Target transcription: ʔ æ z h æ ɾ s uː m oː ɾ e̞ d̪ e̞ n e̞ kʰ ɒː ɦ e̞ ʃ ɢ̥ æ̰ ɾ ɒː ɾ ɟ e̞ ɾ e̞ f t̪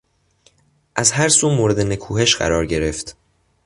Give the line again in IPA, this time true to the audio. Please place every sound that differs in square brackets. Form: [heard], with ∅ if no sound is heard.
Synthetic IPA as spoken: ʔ æ z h æ ɾ s uː m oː ɾ e̞ d̪ e̞ n e̞ kʰ [uː] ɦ e̞ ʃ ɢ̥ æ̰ ɾ ɒː ɾ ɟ e̞ ɾ e̞ f t̪